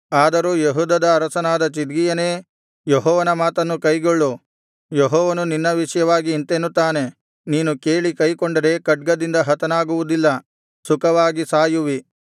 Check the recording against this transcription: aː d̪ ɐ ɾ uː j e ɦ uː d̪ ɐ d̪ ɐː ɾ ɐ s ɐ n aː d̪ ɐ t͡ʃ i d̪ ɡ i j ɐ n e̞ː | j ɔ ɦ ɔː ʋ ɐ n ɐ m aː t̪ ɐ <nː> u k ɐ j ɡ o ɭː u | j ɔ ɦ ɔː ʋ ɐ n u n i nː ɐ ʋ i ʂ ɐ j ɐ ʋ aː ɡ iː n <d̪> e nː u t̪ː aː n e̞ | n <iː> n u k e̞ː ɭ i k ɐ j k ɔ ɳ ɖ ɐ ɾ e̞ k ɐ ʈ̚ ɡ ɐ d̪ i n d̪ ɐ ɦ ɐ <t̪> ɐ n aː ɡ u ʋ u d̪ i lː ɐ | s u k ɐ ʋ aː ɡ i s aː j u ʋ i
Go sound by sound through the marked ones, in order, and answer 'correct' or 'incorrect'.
correct, incorrect: t̪, correct, correct

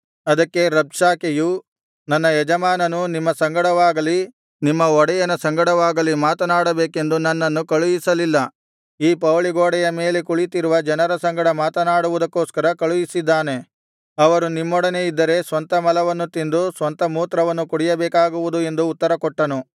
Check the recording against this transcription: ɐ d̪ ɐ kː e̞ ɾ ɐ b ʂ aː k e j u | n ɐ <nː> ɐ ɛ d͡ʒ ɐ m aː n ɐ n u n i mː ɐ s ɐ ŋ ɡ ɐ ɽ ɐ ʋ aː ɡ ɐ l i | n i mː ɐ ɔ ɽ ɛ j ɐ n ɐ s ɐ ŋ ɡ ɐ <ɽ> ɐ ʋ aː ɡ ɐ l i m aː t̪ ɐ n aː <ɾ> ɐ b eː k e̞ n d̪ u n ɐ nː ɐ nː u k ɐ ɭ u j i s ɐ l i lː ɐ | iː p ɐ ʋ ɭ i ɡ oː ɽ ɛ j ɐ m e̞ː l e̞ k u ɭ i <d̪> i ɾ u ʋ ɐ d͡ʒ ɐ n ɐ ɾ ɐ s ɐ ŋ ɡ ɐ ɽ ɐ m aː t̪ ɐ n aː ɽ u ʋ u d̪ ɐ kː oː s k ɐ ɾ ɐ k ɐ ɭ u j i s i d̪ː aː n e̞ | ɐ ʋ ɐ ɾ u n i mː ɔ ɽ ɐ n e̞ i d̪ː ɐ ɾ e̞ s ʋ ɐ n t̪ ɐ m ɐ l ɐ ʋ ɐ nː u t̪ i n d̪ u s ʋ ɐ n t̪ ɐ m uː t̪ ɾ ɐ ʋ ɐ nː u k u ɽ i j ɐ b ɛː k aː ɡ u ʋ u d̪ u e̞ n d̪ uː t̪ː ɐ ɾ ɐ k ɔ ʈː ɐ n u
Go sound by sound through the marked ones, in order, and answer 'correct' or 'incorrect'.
correct, correct, incorrect: ɽ, incorrect: t̪

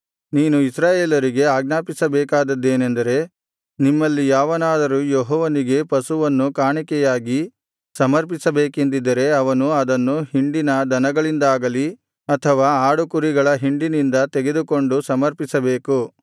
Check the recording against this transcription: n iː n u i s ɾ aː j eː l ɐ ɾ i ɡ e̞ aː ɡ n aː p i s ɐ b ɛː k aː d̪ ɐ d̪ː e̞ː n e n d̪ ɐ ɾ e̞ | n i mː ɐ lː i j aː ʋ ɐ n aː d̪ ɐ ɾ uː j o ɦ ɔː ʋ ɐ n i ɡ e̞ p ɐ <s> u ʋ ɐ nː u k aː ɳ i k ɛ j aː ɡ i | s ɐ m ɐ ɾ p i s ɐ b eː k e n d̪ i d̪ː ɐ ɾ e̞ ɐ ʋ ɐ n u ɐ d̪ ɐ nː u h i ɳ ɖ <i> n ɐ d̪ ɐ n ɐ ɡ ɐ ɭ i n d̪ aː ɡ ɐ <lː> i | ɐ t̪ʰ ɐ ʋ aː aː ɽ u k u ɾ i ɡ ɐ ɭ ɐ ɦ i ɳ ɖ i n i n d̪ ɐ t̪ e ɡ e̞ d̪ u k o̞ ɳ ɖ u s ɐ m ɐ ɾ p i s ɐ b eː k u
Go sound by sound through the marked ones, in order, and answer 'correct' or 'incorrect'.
correct, correct, incorrect: l

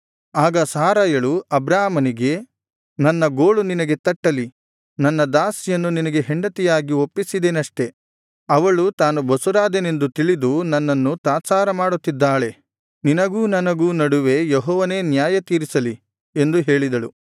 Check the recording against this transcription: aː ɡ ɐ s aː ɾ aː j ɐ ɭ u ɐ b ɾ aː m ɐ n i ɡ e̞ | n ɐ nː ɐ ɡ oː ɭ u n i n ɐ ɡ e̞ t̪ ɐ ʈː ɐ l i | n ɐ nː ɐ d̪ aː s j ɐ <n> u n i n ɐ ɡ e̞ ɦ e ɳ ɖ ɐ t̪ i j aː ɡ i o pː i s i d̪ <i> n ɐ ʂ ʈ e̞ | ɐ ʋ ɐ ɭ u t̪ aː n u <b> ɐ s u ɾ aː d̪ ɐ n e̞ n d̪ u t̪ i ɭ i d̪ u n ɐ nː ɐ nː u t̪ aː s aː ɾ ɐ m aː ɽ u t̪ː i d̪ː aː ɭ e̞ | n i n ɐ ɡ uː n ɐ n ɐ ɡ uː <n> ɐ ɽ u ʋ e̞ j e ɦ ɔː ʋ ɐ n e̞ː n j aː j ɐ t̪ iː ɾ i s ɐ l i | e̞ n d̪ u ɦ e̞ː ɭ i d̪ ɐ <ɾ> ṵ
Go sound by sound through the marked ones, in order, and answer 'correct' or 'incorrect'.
incorrect: nː, incorrect: e, correct, correct, incorrect: ɭ

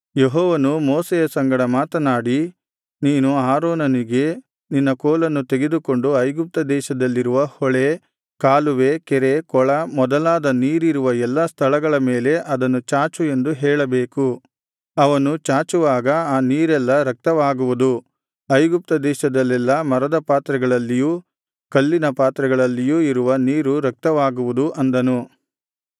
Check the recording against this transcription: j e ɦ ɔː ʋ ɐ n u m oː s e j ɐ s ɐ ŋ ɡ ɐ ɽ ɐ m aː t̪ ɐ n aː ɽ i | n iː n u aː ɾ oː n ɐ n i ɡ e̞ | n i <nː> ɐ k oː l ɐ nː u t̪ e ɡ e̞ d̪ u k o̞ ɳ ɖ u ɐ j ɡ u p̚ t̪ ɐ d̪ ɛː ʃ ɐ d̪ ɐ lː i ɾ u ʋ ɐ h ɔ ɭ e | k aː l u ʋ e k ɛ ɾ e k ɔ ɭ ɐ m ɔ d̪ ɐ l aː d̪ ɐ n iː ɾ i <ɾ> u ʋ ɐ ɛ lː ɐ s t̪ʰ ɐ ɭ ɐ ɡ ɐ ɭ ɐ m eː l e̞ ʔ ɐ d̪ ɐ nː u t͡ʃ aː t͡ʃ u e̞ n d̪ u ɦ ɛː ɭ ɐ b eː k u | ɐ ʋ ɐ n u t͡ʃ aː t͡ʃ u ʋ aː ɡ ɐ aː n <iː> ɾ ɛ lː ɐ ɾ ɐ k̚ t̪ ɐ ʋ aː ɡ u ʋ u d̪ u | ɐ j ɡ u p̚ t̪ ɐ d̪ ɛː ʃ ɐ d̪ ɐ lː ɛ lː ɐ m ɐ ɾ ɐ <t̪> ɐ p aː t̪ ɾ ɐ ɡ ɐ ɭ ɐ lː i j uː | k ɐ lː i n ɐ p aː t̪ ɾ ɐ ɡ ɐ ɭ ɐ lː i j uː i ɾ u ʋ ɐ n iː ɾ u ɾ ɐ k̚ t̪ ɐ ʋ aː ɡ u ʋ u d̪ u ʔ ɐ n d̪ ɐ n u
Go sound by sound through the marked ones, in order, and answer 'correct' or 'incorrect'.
correct, correct, correct, incorrect: d̪

